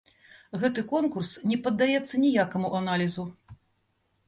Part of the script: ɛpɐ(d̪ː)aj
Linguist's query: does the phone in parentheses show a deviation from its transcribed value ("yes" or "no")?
no